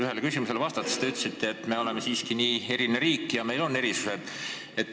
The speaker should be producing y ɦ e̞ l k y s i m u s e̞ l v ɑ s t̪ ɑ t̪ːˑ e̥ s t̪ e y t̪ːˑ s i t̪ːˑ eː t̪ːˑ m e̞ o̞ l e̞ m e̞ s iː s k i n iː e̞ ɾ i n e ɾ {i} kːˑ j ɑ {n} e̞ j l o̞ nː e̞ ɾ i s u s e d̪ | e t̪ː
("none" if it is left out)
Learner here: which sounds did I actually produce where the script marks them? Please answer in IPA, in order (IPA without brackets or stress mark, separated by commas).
iː, m